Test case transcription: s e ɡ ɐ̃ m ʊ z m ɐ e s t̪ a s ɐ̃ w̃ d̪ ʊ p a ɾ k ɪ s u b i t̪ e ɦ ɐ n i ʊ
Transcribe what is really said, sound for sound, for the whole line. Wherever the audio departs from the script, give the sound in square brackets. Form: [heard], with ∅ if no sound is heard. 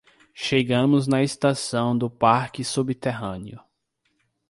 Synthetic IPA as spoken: [ʃ] e ɡ ɐ̃ m ʊ z [n] ɐ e s t̪ a s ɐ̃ w̃ d̪ ʊ p a ɾ k ɪ s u b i t̪ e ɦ [ɐ̃] n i ʊ